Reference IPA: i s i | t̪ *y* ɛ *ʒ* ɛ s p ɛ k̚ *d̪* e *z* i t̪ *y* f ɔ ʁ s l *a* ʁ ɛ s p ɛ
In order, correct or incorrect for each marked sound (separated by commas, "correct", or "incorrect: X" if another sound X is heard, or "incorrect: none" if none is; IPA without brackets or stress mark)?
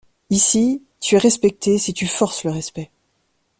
correct, incorrect: ʁ, incorrect: t̪, incorrect: s, correct, incorrect: ə